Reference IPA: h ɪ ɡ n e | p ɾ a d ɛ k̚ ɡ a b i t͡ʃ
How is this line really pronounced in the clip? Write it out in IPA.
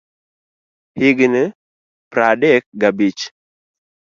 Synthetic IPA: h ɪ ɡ n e | p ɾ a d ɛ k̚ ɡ a b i t͡ʃ